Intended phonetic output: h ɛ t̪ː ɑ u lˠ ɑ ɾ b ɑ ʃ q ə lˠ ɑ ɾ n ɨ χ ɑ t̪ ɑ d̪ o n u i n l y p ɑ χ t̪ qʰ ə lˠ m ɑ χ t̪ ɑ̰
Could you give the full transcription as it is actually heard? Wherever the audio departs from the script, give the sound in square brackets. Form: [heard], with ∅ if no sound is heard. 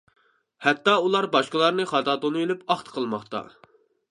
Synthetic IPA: h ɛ t̪ː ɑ u lˠ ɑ ɾ b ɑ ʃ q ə lˠ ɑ ɾ n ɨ χ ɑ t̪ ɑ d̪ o n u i [∅] l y p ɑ χ t̪ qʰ ə lˠ m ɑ χ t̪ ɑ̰